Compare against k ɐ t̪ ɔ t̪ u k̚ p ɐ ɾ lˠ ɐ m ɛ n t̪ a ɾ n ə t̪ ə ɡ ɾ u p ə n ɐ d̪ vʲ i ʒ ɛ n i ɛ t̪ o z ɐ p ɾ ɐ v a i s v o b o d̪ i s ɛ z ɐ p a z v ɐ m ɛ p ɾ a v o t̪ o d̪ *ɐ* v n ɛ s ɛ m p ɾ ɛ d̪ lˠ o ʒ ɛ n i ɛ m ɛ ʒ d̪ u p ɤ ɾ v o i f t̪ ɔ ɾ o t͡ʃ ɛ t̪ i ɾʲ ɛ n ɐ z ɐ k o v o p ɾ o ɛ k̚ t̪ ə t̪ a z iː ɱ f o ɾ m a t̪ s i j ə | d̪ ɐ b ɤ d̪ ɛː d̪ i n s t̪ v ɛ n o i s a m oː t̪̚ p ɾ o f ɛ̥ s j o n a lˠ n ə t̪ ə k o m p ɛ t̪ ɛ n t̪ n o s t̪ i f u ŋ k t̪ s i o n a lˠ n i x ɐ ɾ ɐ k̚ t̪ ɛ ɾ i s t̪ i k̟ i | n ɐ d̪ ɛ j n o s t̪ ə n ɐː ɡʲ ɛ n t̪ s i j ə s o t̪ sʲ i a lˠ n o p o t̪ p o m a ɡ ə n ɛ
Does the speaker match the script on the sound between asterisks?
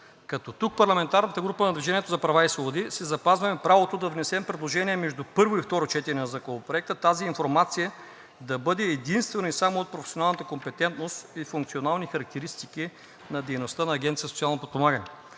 yes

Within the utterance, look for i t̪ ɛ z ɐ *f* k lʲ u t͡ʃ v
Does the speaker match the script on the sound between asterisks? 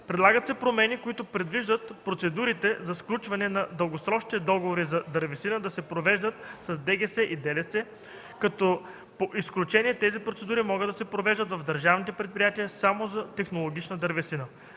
no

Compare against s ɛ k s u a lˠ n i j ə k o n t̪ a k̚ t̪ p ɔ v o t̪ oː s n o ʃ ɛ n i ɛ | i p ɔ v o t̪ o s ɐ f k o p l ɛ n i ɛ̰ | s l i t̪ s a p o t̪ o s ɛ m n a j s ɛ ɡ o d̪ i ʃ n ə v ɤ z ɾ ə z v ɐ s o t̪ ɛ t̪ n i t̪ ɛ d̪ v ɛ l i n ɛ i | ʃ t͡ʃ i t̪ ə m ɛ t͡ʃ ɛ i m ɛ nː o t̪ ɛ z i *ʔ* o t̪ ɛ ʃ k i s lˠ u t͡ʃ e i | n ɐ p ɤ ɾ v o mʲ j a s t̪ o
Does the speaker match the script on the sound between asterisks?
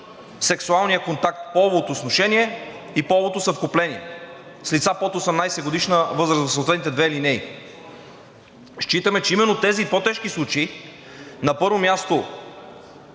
no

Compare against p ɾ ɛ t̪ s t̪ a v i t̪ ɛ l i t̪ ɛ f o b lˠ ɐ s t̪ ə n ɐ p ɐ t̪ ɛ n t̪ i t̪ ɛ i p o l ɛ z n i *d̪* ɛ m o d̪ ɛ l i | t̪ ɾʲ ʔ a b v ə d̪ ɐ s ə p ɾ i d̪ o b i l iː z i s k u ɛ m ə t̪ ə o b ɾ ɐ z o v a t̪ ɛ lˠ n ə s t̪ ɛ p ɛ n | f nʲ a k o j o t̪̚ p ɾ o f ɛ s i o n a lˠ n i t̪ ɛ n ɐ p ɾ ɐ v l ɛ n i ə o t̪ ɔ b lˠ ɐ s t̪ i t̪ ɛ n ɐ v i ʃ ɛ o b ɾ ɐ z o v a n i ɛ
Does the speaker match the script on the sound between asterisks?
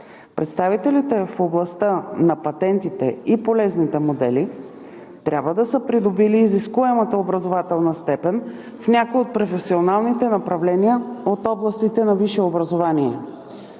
no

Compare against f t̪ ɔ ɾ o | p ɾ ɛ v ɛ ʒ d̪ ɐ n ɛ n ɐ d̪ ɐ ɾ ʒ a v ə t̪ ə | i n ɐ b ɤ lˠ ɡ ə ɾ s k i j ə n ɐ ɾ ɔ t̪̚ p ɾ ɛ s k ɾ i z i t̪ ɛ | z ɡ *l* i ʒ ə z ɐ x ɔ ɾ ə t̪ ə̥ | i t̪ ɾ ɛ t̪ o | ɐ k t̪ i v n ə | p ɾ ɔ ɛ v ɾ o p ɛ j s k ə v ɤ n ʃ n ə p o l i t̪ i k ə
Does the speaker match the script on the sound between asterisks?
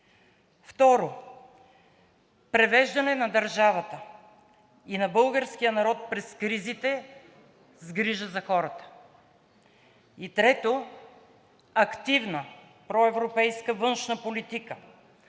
no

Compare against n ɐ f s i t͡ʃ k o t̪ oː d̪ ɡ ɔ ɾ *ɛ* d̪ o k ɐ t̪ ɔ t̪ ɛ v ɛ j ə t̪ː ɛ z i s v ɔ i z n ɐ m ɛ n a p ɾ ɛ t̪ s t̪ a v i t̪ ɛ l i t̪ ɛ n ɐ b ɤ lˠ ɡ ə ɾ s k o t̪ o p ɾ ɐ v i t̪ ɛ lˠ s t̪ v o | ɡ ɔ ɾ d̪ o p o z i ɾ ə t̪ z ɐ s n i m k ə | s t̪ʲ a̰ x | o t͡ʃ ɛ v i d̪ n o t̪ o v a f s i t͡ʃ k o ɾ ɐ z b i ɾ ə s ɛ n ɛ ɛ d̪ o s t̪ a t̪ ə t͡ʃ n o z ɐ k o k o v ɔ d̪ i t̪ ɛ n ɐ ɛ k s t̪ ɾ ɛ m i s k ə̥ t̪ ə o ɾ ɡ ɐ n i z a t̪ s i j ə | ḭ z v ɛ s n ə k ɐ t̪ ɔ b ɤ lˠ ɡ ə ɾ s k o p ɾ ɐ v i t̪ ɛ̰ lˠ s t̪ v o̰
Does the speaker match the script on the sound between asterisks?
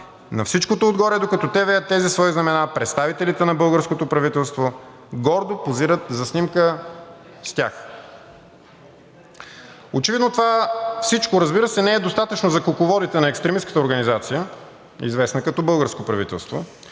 yes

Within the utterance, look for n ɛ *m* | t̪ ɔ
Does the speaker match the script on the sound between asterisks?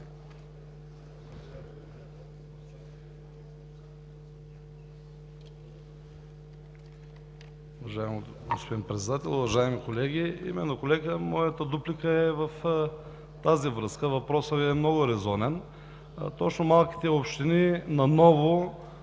no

